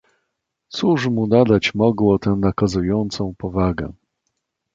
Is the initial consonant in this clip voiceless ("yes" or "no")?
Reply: yes